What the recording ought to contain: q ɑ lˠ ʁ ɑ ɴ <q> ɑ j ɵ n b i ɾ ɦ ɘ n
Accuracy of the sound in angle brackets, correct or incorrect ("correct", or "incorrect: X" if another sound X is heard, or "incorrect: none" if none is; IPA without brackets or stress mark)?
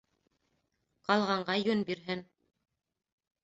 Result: incorrect: ɢ